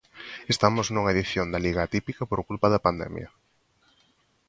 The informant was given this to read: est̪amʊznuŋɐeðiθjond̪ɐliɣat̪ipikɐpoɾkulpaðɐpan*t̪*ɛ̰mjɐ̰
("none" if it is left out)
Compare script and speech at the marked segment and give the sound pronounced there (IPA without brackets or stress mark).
d̪